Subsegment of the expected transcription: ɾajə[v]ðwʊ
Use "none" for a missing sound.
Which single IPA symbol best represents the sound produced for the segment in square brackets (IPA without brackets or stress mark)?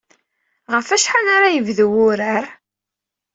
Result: v